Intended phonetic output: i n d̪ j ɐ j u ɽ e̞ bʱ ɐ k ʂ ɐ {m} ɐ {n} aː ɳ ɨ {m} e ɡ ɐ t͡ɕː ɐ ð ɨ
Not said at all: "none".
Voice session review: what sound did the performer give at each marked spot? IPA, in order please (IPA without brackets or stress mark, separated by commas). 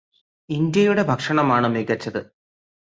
ɳ, m, m